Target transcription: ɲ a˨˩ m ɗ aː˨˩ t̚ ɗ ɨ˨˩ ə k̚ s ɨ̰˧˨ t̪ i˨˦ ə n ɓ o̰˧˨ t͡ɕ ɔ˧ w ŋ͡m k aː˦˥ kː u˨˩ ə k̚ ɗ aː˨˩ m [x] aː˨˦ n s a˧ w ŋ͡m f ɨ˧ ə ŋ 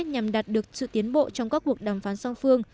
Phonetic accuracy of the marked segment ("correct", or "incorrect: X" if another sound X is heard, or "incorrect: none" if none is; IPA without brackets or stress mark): incorrect: f